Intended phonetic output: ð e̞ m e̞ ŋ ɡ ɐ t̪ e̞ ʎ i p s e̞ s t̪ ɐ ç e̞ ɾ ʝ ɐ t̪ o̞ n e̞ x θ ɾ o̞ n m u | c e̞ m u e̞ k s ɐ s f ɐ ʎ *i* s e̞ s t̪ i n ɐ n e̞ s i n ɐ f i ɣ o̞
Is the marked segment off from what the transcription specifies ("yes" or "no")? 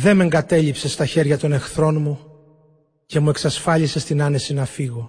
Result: no